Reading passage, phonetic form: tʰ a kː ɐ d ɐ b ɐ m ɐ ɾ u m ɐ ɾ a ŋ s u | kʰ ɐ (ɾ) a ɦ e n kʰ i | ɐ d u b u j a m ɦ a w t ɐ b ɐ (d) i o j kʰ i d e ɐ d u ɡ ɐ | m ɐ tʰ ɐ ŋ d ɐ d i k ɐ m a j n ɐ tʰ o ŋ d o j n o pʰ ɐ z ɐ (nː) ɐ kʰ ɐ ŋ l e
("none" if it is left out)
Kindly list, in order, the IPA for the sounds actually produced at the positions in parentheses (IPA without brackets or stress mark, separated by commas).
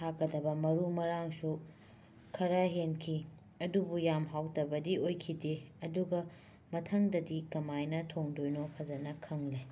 ɾ, d, n